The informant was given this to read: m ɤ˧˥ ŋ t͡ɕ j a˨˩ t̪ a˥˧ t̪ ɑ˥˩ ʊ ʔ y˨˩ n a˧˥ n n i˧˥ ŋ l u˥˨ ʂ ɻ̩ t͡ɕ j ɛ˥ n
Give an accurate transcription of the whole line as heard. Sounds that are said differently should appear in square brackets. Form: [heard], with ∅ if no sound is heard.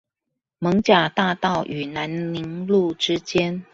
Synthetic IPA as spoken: m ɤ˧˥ ŋ t͡ɕ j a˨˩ t̪ a˥˧ t̪ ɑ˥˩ ʊ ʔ y˨˩ n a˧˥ n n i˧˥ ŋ l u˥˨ [ʈ͡ʂ] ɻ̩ t͡ɕ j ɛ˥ n